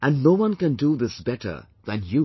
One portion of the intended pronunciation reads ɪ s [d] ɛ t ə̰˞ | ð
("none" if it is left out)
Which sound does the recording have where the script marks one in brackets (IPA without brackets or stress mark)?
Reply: b